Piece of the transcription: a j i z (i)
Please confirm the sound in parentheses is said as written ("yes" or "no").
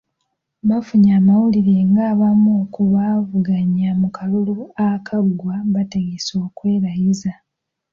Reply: no